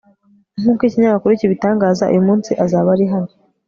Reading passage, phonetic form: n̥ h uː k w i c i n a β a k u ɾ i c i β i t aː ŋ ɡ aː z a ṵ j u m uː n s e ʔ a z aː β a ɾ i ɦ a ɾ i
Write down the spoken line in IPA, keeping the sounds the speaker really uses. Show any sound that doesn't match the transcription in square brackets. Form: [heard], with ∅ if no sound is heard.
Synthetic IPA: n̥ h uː k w i c i [ɲ] a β a k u ɾ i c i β i t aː ŋ ɡ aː z a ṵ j u m uː n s [i] ʔ a z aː β a ɾ i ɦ a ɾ i